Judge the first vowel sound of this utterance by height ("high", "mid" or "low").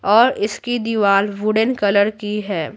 mid